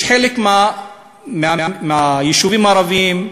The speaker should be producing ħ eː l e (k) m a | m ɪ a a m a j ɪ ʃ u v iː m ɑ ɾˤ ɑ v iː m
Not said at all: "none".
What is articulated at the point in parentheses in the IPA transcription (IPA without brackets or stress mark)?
k